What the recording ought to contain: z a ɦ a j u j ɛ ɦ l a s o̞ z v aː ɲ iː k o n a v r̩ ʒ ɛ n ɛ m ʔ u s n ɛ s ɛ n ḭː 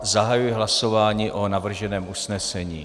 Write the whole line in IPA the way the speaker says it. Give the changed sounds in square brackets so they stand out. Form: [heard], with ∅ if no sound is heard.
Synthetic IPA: z a ɦ a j u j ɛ ɦ l a s o̞ [∅] v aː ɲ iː [ʔ] o n a v r̩ ʒ ɛ n [ɛː] m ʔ u s n ɛ s ɛ [ɲ] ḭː